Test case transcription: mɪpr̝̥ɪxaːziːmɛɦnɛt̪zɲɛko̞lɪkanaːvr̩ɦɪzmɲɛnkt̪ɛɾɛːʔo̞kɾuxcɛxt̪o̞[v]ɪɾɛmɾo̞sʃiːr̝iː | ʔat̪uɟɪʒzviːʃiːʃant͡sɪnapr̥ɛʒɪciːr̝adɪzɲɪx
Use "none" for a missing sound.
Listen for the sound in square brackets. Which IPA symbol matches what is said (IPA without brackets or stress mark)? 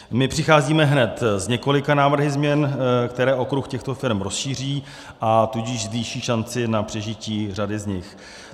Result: f